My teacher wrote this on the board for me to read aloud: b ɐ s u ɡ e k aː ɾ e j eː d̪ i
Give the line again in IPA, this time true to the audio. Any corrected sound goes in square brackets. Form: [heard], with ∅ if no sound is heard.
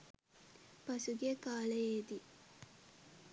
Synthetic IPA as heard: [p] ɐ s u ɡ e k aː [l] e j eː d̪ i